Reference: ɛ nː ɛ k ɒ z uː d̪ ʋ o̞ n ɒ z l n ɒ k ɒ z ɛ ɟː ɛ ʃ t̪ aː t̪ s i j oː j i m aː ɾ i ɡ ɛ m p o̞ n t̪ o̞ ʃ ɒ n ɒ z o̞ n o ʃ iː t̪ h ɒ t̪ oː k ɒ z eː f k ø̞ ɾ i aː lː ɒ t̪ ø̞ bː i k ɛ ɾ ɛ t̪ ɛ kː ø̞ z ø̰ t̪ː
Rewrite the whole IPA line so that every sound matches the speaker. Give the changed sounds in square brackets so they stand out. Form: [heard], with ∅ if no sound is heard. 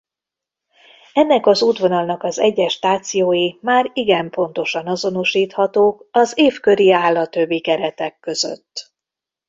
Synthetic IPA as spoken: ɛ nː ɛ k ɒ z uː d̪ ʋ o̞ n ɒ [∅] l n ɒ k ɒ z ɛ ɟː ɛ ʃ t̪ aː t̪ s i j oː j i m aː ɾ i ɡ ɛ m p o̞ n t̪ o̞ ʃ ɒ n ɒ z o̞ n o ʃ iː t̪ h ɒ t̪ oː k ɒ z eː f k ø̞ ɾ i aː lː ɒ t̪ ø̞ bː i k ɛ ɾ ɛ t̪ ɛ kː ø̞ z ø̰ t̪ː